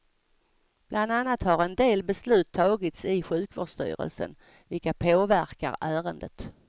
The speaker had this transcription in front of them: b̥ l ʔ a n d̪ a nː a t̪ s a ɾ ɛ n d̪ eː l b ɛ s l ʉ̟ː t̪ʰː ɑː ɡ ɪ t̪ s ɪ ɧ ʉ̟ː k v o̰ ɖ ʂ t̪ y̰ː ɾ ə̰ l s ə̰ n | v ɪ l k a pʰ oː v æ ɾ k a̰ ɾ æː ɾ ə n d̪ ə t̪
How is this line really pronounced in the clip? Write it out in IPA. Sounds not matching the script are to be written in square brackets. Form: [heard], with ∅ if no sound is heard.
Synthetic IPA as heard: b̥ l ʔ a n d̪ a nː a t̪ [h] a ɾ ɛ n d̪ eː l b ɛ s l ʉ̟ː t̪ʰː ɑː ɡ ɪ t̪ s ɪ ɧ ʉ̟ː k v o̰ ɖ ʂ t̪ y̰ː ɾ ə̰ l s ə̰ n | v ɪ l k a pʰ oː v æ ɾ k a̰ ɾ æː ɾ ə n d̪ ə t̪